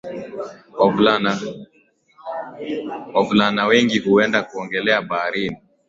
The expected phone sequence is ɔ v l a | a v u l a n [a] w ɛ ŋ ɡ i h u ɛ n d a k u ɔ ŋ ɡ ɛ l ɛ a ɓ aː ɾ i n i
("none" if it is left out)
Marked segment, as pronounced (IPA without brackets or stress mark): a